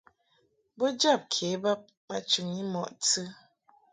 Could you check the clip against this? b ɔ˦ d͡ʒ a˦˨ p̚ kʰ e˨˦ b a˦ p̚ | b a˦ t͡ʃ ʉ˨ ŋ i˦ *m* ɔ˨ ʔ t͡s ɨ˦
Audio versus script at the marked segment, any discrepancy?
no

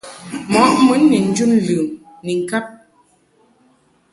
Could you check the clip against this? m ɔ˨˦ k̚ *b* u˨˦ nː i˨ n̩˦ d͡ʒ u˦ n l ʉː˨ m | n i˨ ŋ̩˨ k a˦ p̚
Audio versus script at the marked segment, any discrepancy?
yes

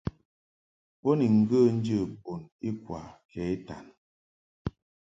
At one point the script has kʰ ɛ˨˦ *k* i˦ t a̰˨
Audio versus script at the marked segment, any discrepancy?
yes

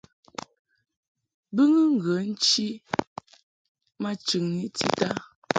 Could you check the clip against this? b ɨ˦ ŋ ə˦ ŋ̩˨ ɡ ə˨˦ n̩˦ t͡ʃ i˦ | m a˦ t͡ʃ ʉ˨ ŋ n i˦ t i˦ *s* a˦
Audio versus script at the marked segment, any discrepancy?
yes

